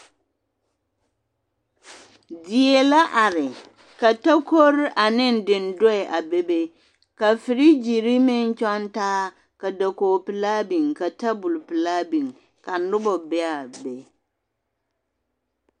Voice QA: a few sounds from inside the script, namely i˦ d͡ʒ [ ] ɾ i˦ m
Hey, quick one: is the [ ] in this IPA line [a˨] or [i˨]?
i˨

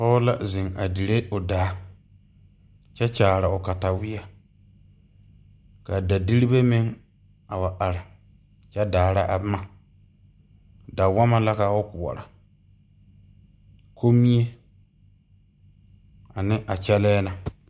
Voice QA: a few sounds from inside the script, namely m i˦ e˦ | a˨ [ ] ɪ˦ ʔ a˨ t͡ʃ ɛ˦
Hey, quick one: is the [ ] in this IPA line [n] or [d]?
n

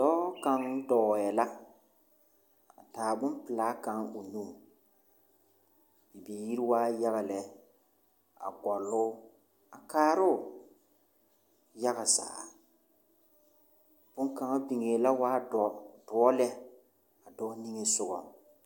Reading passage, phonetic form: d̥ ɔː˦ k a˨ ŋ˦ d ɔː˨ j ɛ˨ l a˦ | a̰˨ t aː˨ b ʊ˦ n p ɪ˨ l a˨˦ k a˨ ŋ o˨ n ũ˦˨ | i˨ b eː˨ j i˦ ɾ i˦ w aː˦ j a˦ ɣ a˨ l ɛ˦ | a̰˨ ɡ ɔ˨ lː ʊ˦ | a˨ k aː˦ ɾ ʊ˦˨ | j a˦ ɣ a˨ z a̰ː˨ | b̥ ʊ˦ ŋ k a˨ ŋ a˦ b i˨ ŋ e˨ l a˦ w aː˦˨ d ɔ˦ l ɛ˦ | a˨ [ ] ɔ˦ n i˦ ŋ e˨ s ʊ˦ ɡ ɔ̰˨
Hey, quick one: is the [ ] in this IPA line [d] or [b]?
d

